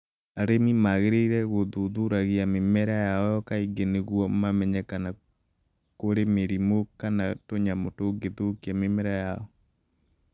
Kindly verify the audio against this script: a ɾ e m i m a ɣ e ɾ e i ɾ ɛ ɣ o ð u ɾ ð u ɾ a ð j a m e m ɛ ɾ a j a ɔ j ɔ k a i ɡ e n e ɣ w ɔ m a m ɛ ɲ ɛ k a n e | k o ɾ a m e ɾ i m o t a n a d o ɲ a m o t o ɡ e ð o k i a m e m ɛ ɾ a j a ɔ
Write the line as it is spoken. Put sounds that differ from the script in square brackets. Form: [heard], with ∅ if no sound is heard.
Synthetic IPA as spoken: a ɾ e m i m a ɣ e ɾ e i ɾ ɛ ɣ o ð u [∅] ð u ɾ a [ɣ] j a m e m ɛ ɾ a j a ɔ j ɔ k a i ɡ e n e ɣ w ɔ m a m ɛ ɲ ɛ k a n [a] | k o ɾ [e] m e ɾ i m o [k] a n a [t] o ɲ a m o t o ɡ e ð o k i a m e m ɛ ɾ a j a ɔ